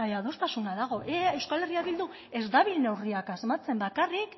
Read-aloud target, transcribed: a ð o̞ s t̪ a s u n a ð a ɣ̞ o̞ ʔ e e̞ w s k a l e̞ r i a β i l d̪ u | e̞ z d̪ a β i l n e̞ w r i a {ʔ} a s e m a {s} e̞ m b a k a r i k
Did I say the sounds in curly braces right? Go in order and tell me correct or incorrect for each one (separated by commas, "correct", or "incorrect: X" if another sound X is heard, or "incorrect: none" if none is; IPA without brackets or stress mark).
incorrect: k, incorrect: t͡s